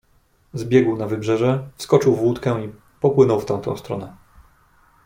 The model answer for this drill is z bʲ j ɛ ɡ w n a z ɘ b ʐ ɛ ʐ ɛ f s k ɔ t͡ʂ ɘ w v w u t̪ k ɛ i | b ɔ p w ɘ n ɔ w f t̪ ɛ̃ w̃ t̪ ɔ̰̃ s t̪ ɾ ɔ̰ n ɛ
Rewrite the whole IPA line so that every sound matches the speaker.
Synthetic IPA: z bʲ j ɛ ɡ w n a v ɘ b ʐ ɛ ʐ ɛ f s k ɔ t͡ʂ ɘ w v w u t̪ k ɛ i | p ɔ p w ɘ n ɔ w f t̪ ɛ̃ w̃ t̪ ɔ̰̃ s t̪ ɾ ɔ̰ n ɛ

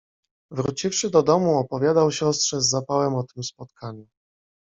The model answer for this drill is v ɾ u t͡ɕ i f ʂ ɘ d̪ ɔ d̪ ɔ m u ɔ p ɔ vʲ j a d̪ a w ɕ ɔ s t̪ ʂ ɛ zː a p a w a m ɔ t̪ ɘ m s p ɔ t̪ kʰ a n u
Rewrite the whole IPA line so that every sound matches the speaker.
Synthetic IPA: v ɾ u t͡ɕ i f ʂ ɘ d̪ ɔ d̪ ɔ m u ɔ p ɔ vʲ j a d̪ a w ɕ ɔ s t̪ ʂ ɛ zː a p a w ɛ m ɔ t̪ ɘ m s p ɔ t̪ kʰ a ɲ u

